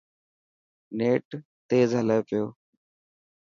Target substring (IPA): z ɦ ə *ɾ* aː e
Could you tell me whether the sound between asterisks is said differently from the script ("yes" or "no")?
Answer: yes